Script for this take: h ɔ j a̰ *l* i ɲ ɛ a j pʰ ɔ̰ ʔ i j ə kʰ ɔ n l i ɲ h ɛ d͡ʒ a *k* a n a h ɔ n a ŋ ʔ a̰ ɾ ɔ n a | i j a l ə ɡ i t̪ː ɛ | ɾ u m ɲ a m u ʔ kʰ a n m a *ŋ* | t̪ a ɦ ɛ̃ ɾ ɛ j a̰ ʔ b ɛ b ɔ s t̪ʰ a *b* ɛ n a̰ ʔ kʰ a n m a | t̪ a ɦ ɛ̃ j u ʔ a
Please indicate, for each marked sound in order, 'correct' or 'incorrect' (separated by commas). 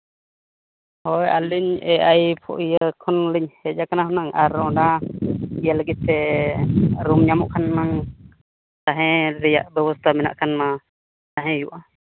correct, correct, correct, incorrect